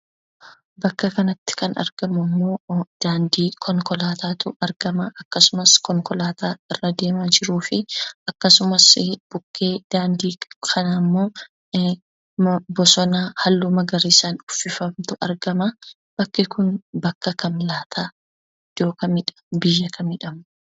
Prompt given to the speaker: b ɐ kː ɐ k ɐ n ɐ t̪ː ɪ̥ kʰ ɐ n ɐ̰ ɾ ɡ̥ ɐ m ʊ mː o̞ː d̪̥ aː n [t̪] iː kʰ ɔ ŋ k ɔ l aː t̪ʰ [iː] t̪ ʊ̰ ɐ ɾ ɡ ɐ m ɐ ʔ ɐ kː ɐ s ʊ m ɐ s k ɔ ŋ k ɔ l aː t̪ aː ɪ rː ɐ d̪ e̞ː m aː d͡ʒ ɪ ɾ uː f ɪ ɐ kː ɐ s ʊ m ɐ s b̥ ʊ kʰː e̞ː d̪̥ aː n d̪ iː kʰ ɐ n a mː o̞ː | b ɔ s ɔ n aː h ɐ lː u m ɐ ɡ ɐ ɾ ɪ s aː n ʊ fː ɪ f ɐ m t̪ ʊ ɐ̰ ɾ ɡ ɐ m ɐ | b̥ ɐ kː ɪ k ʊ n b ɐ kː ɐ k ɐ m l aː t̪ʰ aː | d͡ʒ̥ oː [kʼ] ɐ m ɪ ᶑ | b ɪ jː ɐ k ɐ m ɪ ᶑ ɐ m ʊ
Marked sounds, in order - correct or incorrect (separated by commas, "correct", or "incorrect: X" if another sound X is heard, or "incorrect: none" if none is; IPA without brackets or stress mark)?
incorrect: d̪, incorrect: aː, incorrect: k